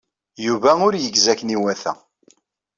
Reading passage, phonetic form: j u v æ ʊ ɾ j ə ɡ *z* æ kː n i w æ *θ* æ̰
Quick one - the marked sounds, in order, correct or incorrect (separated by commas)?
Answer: correct, correct